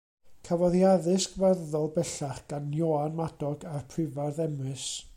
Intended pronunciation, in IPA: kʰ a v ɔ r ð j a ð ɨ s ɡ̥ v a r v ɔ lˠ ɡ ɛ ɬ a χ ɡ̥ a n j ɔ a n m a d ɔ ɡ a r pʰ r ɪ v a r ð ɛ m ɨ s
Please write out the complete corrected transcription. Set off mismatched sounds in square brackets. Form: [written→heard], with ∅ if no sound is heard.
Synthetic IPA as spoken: kʰ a v ɔ [r→∅] ð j a ð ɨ s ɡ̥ v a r [v→ð] ɔ lˠ [ɡ→b] ɛ ɬ a χ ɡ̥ a n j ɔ a n m a d ɔ ɡ a r pʰ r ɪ v a r ð ɛ m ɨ s